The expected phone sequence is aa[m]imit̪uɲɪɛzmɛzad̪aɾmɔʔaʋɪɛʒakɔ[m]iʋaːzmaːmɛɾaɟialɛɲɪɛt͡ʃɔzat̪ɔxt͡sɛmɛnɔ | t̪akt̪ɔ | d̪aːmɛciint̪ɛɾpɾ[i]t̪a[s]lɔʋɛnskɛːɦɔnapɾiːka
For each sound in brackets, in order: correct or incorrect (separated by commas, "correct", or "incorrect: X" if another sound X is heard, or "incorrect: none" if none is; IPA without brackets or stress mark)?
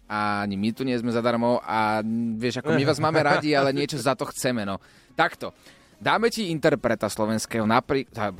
incorrect: ɲ, correct, incorrect: ɛ, correct